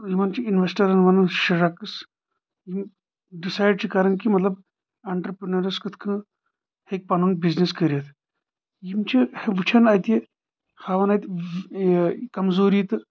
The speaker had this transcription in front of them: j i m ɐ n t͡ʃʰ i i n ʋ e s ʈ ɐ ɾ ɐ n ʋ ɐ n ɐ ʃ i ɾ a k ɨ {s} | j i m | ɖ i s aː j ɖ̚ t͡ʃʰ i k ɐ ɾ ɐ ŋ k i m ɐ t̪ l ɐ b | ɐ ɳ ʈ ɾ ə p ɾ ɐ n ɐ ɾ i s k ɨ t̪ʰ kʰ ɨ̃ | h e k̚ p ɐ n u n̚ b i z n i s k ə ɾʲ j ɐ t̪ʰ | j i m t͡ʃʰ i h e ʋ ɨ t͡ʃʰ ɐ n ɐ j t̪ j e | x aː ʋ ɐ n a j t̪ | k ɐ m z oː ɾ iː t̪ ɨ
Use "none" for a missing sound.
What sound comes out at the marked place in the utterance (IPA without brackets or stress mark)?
s